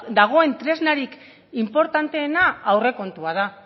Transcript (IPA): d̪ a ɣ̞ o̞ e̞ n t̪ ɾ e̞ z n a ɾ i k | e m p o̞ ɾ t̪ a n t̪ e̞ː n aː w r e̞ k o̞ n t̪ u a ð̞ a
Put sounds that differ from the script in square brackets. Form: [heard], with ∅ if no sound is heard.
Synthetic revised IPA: d̪ a ɣ̞ o̞ e̞ n t̪ ɾ e̞ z n a ɾ i k | [i] m p o̞ ɾ t̪ a n t̪ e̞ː n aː w r e̞ k o̞ n t̪ u a ð̞ a